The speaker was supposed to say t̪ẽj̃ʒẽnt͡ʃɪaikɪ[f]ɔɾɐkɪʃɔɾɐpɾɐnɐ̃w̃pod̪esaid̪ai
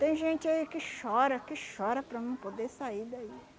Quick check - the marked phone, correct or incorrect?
incorrect